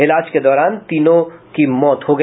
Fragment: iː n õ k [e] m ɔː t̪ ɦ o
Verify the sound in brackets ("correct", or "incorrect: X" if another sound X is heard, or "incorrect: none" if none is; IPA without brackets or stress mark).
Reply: incorrect: i